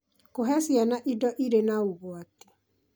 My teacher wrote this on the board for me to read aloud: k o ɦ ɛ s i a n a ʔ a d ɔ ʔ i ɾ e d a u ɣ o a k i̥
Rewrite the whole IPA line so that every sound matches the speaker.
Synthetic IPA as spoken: k o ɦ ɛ s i a n a ʔ i d ɔ ʔ i ɾ e n a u ɣ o a t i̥